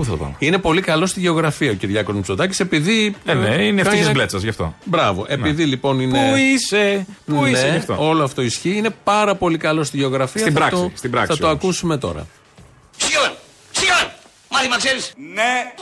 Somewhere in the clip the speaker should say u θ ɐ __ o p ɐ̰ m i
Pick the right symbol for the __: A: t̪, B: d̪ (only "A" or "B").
A